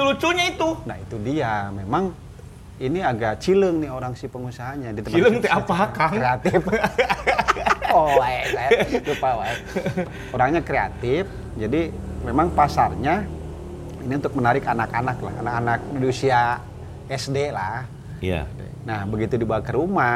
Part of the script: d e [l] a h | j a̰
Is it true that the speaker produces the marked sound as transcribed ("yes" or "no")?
yes